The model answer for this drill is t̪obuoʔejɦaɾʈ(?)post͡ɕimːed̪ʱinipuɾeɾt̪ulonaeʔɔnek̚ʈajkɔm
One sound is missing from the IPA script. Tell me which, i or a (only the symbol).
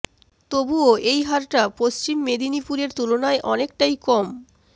a